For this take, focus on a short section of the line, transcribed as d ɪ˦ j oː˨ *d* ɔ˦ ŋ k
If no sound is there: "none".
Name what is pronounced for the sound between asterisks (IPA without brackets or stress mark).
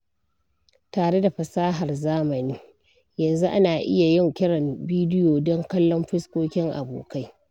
d